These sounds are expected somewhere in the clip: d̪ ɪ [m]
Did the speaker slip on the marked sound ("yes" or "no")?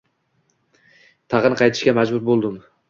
no